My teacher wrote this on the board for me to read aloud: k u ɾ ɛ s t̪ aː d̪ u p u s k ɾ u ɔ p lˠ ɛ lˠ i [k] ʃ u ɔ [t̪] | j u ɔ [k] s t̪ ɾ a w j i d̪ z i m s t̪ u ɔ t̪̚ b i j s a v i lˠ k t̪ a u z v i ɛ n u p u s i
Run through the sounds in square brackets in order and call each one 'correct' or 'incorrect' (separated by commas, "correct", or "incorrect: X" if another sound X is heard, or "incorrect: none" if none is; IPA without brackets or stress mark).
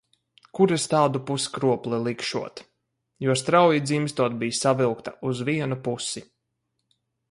correct, correct, incorrect: none